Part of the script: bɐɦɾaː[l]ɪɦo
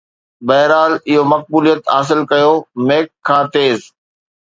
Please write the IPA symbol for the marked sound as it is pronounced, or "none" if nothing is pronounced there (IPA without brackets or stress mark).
l